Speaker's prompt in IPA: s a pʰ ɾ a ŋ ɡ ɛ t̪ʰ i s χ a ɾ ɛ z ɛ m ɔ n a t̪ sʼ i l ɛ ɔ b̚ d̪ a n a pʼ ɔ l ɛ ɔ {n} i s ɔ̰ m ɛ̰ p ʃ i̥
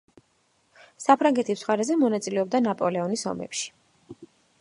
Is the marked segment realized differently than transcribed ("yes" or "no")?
no